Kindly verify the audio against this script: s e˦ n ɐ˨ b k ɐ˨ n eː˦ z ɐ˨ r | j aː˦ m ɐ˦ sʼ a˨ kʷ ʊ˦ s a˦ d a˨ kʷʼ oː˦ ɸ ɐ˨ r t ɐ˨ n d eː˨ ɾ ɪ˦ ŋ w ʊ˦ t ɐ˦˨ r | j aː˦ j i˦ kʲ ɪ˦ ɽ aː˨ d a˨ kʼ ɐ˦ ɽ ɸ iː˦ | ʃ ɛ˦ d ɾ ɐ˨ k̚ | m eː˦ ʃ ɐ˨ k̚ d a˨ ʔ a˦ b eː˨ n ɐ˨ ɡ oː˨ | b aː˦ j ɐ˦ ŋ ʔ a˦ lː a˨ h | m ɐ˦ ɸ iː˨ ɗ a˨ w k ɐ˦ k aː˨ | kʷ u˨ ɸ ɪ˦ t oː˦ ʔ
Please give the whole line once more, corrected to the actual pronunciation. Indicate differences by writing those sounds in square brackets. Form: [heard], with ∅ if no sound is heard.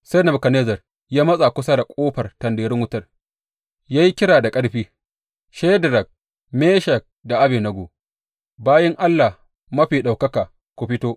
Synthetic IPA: s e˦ n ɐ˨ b k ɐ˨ n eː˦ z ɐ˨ r | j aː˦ m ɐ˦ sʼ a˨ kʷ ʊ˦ s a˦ d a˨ kʷʼ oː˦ ɸ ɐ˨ r t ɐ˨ n d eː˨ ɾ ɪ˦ ŋ w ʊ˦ t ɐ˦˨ r | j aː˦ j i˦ kʲ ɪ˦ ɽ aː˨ d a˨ kʼ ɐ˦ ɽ ɸ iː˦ | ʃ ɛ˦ d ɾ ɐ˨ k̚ | m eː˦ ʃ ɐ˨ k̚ d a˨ ʔ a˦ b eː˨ n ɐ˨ ɡ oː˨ | b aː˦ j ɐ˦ ŋ ʔ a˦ lː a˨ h | m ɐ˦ ɸ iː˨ ɗ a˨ w k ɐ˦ k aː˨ | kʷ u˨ ɸ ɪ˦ t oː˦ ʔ